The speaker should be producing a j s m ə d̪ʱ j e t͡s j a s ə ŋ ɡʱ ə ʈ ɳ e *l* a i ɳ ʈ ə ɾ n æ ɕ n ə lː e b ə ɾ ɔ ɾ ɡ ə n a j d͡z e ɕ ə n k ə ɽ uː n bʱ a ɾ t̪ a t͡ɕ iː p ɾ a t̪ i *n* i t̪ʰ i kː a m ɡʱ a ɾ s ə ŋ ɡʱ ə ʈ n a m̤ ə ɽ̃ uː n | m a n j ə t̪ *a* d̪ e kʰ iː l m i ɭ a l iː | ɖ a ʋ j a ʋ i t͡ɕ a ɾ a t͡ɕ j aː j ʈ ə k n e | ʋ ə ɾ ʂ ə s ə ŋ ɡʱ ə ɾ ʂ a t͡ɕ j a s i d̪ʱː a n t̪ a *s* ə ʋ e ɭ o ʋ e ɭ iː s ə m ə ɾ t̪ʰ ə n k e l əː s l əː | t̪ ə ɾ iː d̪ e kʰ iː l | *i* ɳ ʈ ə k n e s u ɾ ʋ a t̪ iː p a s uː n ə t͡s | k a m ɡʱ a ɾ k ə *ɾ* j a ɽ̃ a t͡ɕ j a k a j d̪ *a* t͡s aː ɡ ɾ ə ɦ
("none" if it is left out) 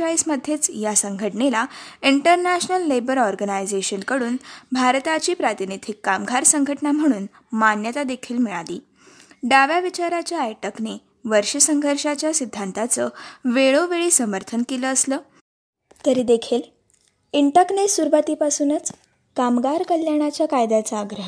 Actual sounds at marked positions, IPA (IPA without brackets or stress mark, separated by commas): l, n, a, t͡s, i, l, a